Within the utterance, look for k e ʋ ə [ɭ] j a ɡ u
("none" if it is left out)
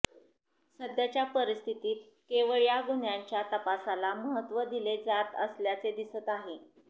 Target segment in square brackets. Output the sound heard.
ɭ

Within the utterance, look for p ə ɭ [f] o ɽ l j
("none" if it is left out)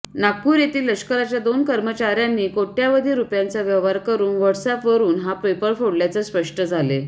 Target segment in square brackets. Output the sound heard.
f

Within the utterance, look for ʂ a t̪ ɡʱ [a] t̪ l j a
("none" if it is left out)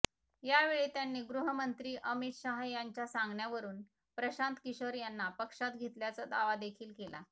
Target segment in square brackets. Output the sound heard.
e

